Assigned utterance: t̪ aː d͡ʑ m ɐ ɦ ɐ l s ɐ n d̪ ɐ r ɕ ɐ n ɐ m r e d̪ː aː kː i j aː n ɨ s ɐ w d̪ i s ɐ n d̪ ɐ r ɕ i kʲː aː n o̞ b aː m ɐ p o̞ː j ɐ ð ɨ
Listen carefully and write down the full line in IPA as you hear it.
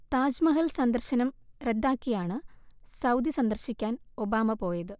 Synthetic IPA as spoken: t̪ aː d͡ʑ m ɐ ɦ ɐ l s ɐ n d̪ ɐ r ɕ ɐ n ɐ m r e d̪ː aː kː i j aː ɳ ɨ s ɐ w d̪ i s ɐ n d̪ ɐ r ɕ i kʲː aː n o̞ b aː m ɐ p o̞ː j ɐ ð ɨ